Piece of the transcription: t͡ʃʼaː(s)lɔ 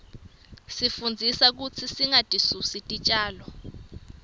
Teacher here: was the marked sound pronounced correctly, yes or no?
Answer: no